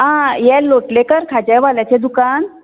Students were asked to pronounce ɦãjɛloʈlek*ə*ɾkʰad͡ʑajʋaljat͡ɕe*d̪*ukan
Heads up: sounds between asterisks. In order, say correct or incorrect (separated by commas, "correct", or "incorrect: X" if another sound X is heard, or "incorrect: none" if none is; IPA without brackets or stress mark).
correct, correct